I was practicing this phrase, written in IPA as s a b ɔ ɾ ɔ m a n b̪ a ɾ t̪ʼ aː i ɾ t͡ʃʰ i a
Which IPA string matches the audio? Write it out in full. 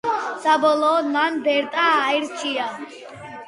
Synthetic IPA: s a b ɔ l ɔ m a n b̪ ɛ ɾ t̪ʼ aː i ɾ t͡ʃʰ i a